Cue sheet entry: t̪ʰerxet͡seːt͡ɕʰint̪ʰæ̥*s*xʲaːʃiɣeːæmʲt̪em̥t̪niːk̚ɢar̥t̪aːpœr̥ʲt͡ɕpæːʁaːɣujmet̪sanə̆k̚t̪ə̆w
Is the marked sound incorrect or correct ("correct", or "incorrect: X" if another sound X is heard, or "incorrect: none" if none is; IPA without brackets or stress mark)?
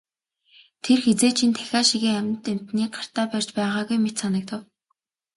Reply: incorrect: none